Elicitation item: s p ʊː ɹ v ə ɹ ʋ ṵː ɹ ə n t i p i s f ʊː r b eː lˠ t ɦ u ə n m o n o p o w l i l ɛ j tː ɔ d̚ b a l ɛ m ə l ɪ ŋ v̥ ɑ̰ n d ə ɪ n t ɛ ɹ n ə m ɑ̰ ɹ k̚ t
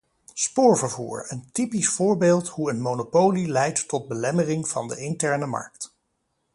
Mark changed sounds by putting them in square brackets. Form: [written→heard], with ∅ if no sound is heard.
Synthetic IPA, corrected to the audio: s p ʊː ɹ v ə ɹ [ʋ→v] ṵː ɹ ə n t i p i s f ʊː [r→ɹ] b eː lˠ t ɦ u ə n m o n o p o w l i l ɛ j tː ɔ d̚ b [a→ə] l ɛ m ə [l→r] ɪ ŋ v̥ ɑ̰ n d ə ɪ n t ɛ ɹ n ə m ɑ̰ ɹ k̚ t